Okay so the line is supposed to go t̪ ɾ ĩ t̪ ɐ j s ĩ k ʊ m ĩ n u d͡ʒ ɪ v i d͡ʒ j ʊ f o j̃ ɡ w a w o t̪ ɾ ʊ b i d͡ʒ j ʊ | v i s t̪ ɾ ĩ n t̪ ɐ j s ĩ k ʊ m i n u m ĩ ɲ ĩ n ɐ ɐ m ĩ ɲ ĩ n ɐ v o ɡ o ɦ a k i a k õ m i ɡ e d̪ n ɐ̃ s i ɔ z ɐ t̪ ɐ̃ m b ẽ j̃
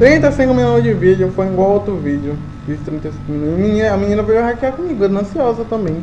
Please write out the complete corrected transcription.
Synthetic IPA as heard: t̪ ɾ ĩ t̪ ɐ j s ĩ k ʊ m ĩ n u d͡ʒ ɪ v i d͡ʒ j ʊ f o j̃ ɡ w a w o t̪ ɾ ʊ v i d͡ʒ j ʊ | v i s t̪ ɾ ĩ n t̪ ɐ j s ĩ k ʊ m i n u m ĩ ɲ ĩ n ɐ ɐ m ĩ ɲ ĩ n ɐ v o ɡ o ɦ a k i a k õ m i ɡ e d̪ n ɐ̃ s i ɔ z ɐ t̪ ɐ̃ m b ẽ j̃